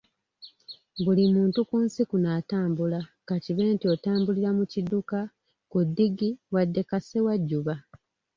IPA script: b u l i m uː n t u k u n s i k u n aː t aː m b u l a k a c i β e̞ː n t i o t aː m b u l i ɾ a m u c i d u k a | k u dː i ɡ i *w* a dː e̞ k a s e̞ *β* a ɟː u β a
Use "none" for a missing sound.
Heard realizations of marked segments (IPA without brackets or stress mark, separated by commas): w, w